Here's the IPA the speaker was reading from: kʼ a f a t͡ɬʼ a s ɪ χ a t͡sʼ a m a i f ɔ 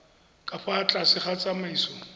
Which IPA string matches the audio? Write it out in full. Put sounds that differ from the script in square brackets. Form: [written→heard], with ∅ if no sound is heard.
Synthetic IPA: kʼ a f a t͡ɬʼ a s ɪ χ a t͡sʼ a m a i [f→s] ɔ